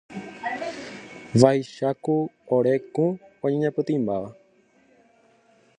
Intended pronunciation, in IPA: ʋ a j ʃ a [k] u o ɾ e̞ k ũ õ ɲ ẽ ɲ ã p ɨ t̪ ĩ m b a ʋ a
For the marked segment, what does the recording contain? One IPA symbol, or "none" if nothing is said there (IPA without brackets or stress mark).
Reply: k